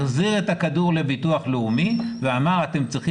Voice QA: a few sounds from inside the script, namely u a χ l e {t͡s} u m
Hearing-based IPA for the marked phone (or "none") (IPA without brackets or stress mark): none